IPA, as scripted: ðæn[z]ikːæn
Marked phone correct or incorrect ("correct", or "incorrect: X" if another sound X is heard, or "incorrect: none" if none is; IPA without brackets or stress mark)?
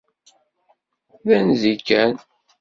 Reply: correct